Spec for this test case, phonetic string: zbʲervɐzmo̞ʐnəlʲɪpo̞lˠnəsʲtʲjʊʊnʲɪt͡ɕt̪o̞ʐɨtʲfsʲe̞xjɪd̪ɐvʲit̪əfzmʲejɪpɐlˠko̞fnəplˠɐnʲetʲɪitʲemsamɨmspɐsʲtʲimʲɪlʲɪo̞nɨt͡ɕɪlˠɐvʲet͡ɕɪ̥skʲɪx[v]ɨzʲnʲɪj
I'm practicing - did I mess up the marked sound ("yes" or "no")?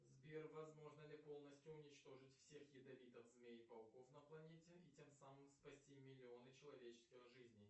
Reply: yes